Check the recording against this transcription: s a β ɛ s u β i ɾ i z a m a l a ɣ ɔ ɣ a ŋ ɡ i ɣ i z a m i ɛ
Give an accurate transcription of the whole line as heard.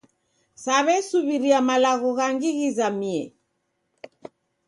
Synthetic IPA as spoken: s a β ɛ s u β i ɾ i a m a l a ɣ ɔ ɣ a ŋ ɡ i ɣ i z a m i ɛ